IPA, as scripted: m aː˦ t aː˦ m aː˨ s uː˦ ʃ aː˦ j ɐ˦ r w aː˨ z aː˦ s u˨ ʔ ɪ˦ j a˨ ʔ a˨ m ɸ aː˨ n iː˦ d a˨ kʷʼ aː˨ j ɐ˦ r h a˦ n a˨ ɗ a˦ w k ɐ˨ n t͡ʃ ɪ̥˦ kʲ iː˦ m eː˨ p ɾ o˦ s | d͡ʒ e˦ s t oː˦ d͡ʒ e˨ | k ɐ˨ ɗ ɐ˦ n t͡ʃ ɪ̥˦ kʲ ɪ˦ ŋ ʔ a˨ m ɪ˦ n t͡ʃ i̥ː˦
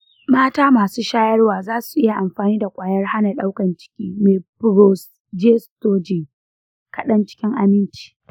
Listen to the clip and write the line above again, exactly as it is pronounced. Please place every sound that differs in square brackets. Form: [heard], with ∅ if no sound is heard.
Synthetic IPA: m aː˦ t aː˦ m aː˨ s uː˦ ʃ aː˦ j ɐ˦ r w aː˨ z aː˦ s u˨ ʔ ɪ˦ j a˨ ʔ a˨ m ɸ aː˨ n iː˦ d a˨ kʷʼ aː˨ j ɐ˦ r h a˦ n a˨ ɗ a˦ w k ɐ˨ n t͡ʃ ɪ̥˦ kʲ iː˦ m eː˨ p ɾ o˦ s | d͡ʒ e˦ s t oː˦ d͡ʒ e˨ | k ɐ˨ ɗ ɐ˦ n t͡ʃ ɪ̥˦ kʲ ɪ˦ ŋ ʔ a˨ m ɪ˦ n t͡ʃ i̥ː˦